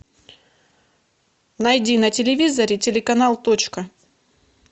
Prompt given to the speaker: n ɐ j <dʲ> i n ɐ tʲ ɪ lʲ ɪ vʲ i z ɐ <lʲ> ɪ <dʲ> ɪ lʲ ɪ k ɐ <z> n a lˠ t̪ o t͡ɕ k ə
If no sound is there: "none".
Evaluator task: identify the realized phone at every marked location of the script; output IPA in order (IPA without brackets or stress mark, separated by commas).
dʲ, ɾʲ, tʲ, none